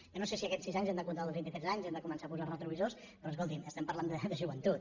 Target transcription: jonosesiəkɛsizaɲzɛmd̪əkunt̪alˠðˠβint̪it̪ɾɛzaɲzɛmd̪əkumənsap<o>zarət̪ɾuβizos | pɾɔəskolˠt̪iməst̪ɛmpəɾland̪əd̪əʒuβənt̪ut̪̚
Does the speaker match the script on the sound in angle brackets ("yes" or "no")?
no